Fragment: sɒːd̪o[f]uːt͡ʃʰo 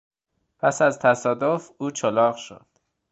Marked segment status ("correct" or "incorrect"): correct